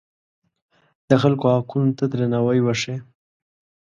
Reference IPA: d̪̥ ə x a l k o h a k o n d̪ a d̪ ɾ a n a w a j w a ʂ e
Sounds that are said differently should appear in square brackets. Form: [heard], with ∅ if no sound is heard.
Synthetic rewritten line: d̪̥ ə x a l k o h a k [u] n [t̪] a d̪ ɾ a n a w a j w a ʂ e